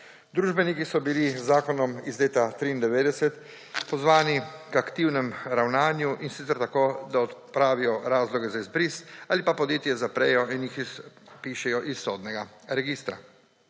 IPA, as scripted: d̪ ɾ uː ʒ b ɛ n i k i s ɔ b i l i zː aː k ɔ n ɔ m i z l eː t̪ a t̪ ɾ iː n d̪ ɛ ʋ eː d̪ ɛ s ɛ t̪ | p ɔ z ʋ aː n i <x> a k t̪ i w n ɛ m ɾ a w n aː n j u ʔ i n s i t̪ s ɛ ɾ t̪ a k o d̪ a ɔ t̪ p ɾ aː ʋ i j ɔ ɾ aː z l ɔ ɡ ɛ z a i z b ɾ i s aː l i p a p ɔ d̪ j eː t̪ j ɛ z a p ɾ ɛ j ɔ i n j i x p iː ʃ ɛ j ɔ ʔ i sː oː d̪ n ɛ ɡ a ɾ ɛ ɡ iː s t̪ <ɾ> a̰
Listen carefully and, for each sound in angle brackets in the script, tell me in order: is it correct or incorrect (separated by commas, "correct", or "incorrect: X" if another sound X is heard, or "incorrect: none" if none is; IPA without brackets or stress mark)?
incorrect: k, correct